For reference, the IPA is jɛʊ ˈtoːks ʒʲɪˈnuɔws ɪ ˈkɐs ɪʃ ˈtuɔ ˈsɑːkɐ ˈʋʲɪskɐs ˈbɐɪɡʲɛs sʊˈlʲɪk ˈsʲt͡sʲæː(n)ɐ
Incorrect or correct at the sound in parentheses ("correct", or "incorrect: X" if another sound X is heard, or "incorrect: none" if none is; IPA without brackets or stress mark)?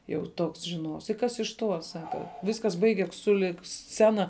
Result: correct